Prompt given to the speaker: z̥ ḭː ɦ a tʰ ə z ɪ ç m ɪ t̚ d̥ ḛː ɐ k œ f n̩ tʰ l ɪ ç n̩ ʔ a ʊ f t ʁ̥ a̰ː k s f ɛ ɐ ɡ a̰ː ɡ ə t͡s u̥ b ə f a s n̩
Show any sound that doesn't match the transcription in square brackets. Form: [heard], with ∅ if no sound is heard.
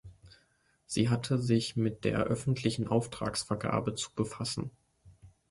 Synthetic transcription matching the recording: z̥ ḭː ɦ a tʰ ə z ɪ ç m ɪ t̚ d̥ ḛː ɐ [ʔ] œ f n̩ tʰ l ɪ ç n̩ ʔ a ʊ f t ʁ̥ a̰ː k s f ɛ ɐ ɡ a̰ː [b] ə t͡s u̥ b ə f a s n̩